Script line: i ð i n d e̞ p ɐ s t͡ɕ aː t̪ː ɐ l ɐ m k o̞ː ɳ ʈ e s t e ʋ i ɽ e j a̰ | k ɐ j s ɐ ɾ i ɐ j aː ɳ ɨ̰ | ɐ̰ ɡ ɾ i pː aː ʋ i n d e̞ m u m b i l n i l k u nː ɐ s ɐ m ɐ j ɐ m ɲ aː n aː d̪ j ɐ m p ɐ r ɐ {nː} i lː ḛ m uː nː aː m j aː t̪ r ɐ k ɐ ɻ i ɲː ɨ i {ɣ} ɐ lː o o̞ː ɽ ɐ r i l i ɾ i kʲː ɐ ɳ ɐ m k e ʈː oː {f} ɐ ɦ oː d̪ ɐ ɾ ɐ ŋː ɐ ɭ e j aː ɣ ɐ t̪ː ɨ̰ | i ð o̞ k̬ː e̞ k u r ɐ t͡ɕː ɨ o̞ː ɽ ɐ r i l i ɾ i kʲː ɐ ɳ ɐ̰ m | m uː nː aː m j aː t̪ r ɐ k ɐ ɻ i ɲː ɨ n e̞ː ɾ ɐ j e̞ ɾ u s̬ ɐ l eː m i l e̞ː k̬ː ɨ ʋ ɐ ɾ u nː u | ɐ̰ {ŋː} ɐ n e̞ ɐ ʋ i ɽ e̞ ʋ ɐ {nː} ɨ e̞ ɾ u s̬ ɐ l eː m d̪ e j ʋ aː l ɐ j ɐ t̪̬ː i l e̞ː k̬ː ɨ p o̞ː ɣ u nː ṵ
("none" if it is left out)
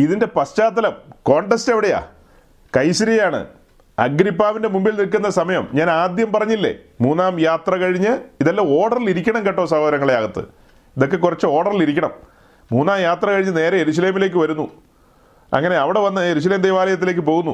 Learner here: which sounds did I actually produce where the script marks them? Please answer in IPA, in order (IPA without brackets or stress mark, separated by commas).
ɲː, ð, s, ŋː, nː